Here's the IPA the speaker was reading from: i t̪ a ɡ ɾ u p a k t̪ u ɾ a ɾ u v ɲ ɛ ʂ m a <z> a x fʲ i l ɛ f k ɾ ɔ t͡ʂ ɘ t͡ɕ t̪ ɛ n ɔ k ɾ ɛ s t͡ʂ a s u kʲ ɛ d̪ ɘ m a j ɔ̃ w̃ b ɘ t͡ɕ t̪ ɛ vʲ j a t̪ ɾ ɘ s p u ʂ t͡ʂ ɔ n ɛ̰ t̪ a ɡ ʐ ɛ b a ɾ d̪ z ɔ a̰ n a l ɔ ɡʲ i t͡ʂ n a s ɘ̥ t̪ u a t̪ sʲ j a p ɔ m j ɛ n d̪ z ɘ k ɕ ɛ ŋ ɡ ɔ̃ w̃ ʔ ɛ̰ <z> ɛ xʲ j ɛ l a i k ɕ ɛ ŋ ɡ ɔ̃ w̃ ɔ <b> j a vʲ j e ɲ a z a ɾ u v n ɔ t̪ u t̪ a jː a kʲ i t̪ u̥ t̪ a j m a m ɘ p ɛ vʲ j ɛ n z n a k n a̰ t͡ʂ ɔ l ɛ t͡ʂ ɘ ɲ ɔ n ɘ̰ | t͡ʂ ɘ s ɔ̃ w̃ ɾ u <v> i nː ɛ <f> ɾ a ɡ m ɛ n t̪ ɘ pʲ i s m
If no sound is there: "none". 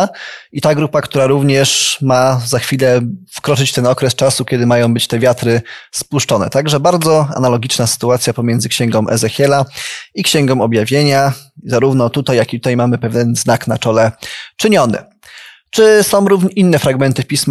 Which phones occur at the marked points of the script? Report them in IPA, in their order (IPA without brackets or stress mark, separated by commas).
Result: z, z, b, v, f